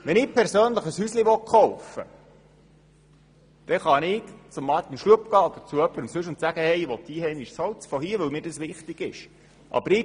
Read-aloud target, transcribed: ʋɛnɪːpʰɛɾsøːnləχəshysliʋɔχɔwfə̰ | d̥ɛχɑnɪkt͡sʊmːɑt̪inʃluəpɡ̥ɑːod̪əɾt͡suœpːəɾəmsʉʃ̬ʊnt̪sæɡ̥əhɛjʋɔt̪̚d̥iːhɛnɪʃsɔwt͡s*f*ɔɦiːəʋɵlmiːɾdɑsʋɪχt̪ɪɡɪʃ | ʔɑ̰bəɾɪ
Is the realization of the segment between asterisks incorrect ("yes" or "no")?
no